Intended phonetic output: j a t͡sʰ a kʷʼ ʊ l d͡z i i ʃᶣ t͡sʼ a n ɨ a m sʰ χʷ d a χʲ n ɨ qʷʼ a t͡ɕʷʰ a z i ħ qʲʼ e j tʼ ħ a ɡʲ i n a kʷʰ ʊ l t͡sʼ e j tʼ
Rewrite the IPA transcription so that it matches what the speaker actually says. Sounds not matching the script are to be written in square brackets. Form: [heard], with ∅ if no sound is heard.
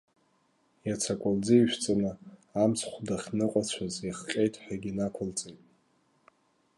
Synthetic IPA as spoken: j a t͡sʰ a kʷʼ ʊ l d͡z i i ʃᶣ t͡sʼ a n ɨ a m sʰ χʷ d a χʲ n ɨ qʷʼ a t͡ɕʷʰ a z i [χ] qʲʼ e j tʼ ħ a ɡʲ i n a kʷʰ ʊ l t͡sʼ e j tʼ